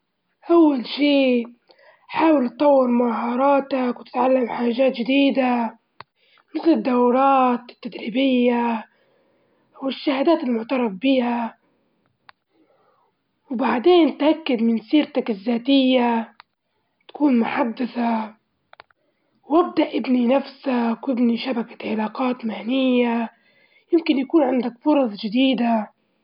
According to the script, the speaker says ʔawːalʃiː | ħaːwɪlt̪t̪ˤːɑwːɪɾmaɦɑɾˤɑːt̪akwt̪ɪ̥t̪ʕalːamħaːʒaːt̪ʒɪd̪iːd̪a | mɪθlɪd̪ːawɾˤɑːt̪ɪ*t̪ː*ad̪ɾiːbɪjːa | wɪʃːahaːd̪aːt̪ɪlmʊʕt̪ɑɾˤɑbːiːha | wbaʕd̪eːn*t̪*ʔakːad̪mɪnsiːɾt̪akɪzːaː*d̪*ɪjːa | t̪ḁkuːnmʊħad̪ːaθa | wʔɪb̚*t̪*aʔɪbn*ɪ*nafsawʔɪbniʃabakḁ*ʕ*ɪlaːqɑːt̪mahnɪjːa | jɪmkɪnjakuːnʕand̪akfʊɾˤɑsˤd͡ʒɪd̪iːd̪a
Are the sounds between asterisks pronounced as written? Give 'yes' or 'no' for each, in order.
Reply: yes, yes, no, no, no, yes

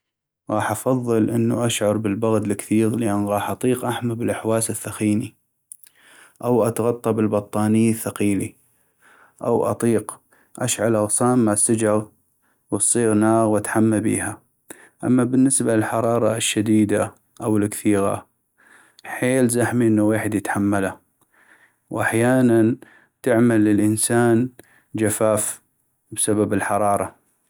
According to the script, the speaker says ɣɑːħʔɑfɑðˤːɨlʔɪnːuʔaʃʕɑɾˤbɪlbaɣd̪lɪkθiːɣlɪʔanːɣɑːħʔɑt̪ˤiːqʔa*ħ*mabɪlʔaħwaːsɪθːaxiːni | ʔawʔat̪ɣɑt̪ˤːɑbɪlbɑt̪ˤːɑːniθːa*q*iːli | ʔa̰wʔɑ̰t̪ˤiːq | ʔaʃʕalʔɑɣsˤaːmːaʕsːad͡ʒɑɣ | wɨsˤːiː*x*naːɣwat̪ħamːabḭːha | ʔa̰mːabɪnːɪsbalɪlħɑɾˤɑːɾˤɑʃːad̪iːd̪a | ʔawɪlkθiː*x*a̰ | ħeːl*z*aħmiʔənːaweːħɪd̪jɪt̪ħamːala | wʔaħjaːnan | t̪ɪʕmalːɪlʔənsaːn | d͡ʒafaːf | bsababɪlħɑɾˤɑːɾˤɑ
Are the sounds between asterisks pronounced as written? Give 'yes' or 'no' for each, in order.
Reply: yes, yes, no, no, yes

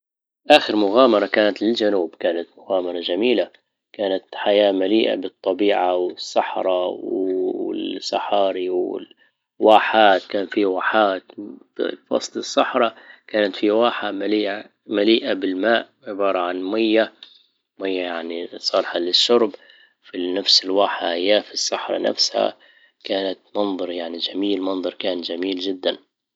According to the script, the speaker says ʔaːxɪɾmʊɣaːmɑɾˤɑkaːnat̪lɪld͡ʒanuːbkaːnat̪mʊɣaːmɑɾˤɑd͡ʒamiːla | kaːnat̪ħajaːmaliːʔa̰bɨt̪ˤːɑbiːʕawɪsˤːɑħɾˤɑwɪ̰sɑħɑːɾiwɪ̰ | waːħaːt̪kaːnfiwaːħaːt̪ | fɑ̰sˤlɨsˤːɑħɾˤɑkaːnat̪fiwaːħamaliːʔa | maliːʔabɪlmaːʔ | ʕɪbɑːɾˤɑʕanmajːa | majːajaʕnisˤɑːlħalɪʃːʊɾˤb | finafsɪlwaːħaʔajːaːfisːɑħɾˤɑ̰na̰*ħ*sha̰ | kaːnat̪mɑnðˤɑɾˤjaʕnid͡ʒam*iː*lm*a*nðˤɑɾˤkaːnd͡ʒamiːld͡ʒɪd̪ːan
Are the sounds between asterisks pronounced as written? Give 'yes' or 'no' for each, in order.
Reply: no, yes, no

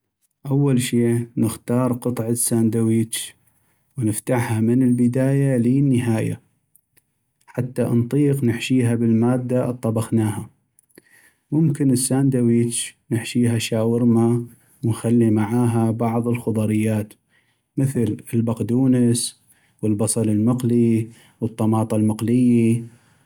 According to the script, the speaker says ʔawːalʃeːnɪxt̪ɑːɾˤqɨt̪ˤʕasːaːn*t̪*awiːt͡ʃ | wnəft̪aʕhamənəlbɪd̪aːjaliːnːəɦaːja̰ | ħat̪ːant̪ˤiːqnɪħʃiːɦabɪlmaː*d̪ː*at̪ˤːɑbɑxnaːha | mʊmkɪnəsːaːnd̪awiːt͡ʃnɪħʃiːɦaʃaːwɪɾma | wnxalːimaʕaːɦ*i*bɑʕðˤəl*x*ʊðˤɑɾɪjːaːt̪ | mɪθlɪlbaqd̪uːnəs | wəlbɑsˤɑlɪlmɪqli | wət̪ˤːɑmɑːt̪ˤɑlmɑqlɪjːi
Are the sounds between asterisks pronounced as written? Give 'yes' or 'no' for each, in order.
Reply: no, yes, no, yes

